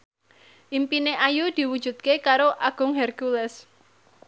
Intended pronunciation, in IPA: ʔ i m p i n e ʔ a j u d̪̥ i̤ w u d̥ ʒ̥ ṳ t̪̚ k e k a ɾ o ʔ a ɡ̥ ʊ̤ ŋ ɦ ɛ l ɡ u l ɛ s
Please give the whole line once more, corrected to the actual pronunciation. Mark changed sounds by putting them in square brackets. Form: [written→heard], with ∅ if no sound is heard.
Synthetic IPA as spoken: ʔ i m p i n e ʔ a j u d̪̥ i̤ w u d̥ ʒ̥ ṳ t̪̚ k e k a ɾ o ʔ a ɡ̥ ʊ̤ ŋ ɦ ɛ [l→r] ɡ u l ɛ s